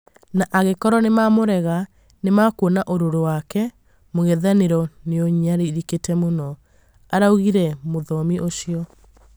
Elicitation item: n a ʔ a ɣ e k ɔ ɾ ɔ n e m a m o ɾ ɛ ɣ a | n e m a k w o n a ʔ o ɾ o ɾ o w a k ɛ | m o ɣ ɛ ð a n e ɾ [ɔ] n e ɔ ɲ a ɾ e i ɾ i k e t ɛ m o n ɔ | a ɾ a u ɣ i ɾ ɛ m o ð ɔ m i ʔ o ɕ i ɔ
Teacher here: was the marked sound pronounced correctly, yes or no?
yes